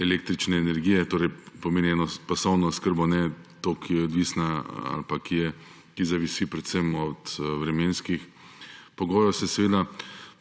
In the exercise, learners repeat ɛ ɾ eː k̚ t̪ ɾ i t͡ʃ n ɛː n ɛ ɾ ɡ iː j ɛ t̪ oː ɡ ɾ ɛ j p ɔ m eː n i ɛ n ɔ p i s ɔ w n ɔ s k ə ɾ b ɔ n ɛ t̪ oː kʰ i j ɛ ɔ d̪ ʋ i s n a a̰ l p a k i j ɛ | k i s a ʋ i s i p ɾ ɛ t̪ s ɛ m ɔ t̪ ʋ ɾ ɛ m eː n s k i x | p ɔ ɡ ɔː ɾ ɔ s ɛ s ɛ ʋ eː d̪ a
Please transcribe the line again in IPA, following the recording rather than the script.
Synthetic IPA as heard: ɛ l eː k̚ t̪ ɾ i t͡ʃ n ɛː n ɛ ɾ ɡ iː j ɛ t̪ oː ɾ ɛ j p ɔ m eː n i ɛ n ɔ p a s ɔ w n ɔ s k ə ɾ b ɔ n ɛ t̪ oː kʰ i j ɛ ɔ d̪ ʋ i s n a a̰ l p a k i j ɛ | k i z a ʋ i s i p ɾ ɛ t̪ s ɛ m ɔ t̪ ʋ ɾ ɛ m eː n s k i x | p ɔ ɡ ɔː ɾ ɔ s ɛ s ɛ ʋ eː d̪ a

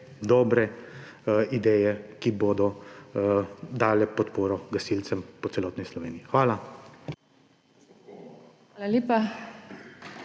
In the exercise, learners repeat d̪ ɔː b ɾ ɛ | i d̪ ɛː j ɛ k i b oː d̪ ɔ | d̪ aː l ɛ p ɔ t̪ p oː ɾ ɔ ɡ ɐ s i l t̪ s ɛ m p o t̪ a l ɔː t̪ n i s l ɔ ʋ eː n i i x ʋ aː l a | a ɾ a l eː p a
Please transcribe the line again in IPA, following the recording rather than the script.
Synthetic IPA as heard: d̪ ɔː b ɾ ɛ | i d̪ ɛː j ɛ k i b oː d̪ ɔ | d̪ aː l ɛ p ɔ t̪ p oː ɾ ɔ ɡ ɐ s i l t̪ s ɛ m p ɔ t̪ ɛ l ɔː t̪ n i s l ɔ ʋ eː n i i x ʋ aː l a | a l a l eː p a

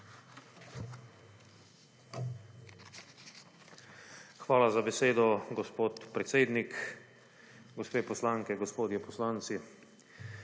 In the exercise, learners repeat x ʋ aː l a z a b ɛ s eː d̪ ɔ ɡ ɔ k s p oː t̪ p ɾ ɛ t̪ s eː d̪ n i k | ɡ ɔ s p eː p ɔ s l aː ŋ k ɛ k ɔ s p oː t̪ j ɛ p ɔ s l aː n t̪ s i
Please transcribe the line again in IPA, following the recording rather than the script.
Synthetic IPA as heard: x ʋ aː l a z a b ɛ s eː d̪ ɔ ɡ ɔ s p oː t̪ p ɾ ɛ t̪ s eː d̪ n i k | ɡ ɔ s p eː p ɔ s l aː ŋ k ɛ ɡ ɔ s p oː d̪ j ɛ p ɔ s l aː n t̪ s i

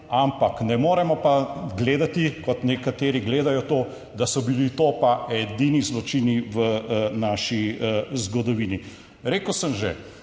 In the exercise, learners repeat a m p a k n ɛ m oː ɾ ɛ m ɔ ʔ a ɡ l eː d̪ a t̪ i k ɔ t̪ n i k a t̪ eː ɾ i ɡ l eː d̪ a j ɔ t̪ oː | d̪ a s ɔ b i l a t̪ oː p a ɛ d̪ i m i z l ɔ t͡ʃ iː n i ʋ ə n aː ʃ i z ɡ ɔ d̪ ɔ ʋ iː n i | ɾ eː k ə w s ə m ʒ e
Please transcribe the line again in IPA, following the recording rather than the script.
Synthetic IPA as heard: a m p a k n ɛ m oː ɾ ɛ m ɔ p a ɡ l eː d̪ a t̪ i k ɔ t̪ n ɛ k a t̪ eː ɾ i ɡ l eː d̪ a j ɔ t̪ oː | d̪ a s ɔ b i l i t̪ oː p a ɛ d̪ i n i z l ɔ t͡ʃ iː n i ʋ ə n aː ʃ i z ɡ ɔ d̪ ɔ ʋ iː n i | ɾ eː k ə w s ə m ʒ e

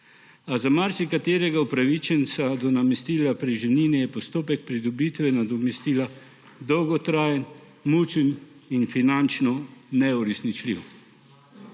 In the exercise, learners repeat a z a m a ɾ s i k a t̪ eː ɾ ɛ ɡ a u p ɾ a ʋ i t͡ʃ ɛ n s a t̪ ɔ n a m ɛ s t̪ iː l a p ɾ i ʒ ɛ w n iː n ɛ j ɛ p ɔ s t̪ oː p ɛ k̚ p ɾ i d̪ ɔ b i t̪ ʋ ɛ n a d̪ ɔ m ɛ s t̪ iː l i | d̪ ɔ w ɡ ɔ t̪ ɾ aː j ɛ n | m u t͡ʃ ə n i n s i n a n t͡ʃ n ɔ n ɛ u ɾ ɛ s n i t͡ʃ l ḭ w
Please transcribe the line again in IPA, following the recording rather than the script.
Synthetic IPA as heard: a z a m a ɾ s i k a t̪ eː ɾ ɛ ɡ a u p ɾ a ʋ i t͡ʃ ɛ n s a d̪ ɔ n a m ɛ s t̪ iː l a p ɾ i ʒ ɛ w n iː n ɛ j ɛ p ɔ s t̪ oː p ɛ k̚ p ɾ i d̪ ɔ b i t̪ ʋ ɛ n a d̪ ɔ m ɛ s t̪ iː l a | d̪ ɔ w ɡ ɔ t̪ ɾ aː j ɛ n | m u t͡ʃ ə n i n f i n a n t͡ʃ n ɔ n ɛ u ɾ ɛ s n i t͡ʃ l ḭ w

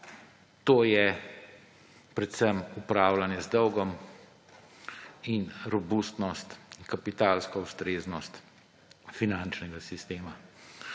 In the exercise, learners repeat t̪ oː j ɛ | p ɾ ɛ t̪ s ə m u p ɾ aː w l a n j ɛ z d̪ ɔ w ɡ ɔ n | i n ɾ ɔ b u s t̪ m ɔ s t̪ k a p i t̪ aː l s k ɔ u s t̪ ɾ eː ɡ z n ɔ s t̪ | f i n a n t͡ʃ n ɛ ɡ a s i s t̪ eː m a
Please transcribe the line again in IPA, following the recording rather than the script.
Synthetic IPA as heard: t̪ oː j ɛ | p ɾ ɛ t̪ s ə m u p ɾ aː w l a n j ɛ z d̪ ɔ w ɡ ɔ m | i n ɾ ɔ b u s t̪ n ɔ s t̪ k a p i t̪ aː l s k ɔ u s t̪ ɾ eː z n ɔ s t̪ | f i n a n t͡ʃ n ɛ ɡ a s i s t̪ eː m a

